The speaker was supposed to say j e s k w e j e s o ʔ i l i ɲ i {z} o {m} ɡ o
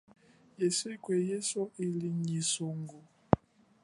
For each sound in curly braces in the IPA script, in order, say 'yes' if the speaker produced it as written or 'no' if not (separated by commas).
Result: no, no